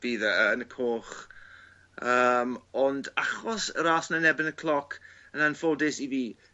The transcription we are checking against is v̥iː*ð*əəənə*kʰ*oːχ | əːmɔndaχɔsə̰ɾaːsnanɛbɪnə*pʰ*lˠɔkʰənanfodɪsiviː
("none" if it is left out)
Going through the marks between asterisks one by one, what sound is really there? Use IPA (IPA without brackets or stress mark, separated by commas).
ð, kʰ, kʰ